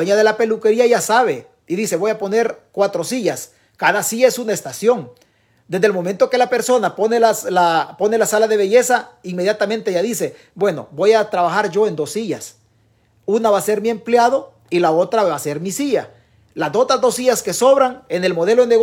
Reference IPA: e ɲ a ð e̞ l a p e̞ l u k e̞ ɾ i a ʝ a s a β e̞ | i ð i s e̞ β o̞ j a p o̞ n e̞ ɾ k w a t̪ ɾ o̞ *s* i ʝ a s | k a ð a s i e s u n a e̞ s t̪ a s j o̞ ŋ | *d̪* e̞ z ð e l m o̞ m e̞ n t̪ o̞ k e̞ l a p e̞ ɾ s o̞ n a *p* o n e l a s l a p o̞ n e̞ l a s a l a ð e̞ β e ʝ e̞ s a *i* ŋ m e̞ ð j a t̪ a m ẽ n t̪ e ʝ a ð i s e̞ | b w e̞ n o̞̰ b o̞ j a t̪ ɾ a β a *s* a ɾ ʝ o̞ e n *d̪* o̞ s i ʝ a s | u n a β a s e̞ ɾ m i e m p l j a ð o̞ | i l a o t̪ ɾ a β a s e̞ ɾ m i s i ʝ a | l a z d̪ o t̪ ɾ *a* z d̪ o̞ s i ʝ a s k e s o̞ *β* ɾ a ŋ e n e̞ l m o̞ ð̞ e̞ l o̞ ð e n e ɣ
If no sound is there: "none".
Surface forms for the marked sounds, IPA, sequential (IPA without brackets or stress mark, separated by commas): s, d̪, p, i, x, d̪, a, β